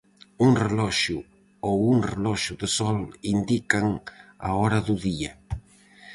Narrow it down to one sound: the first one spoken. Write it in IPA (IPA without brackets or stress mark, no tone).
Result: u